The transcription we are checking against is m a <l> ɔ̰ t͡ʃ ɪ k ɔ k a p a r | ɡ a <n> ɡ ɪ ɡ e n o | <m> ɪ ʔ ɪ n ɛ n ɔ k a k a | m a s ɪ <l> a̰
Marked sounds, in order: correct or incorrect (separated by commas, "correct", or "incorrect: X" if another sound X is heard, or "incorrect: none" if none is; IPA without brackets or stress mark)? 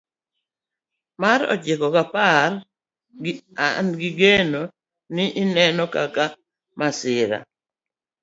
incorrect: ɾ, correct, incorrect: n, incorrect: ɾ